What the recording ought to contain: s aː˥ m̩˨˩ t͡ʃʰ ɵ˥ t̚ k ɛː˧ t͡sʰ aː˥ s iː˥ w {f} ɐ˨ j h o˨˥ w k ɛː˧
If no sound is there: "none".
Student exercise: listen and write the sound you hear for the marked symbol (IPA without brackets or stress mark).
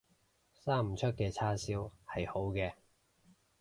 h